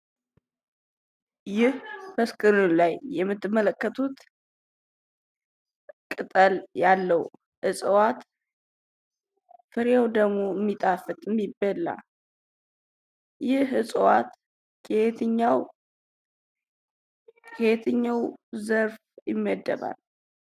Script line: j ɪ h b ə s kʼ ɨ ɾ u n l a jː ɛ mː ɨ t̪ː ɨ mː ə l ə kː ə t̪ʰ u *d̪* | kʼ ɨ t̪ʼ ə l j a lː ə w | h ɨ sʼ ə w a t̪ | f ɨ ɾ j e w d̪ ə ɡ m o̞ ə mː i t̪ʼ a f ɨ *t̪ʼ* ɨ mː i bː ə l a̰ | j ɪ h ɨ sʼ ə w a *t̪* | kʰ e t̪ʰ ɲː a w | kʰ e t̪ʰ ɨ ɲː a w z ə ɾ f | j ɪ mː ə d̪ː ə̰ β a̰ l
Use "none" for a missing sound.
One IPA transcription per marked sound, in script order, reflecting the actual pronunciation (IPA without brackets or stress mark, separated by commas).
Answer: t̪, t̪ʼ, t̪